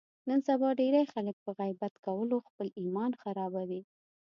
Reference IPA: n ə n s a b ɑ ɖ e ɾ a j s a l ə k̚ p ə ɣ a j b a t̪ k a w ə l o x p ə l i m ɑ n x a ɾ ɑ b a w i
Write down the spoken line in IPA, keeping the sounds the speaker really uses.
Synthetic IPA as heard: n ə n s a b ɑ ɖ e ɾ a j x a l ə k̚ p ə ɣ a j b a t̪ k a w ə l o x p ə l i m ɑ n x a ɾ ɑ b a w i